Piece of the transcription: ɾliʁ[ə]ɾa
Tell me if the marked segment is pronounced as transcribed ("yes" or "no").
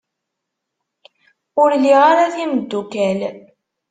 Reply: no